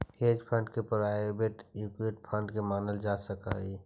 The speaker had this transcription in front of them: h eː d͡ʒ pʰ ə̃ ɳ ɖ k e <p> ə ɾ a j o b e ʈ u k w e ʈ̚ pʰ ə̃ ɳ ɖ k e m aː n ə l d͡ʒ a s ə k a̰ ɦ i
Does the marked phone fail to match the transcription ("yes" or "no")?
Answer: no